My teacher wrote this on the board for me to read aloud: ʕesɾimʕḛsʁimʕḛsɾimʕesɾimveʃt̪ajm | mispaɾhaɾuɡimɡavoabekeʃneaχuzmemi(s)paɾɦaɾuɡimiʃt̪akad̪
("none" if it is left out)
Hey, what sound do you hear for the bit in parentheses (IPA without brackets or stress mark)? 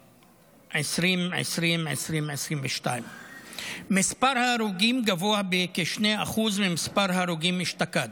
s